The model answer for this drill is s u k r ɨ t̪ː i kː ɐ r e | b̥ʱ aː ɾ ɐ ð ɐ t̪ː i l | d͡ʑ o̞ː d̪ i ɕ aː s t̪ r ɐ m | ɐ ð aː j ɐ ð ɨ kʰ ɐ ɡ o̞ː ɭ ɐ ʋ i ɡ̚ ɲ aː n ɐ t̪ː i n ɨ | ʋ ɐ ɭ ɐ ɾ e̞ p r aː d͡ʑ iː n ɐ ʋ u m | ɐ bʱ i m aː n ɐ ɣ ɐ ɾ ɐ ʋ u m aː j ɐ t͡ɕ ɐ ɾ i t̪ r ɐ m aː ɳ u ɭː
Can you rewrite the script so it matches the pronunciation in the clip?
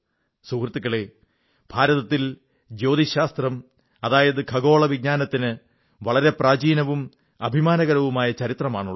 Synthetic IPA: s u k r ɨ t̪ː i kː ɐ ɭ e | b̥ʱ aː ɾ ɐ ð ɐ t̪ː i l | d͡ʑ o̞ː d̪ i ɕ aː s t̪ r ɐ m | ɐ ð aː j ɐ ð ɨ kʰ ɐ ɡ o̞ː ɭ ɐ ʋ i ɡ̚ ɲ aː n ɐ t̪ː i n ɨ | ʋ ɐ ɭ ɐ ɾ e̞ p r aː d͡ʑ iː n ɐ ʋ u m | ɐ bʱ i m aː n ɐ ɣ ɐ ɾ ɐ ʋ u m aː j ɐ t͡ɕ ɐ ɾ i t̪ r ɐ m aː ɳ u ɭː